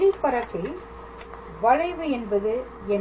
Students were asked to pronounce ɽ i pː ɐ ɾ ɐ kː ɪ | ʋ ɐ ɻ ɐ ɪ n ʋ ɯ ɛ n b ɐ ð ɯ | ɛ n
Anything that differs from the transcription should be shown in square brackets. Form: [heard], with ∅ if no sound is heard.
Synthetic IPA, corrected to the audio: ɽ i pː ɐ ɾ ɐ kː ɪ | ʋ ɐ ɻ ɐ ɪ [∅] ʋ ɯ ɛ n b ɐ ð ɯ | ɛ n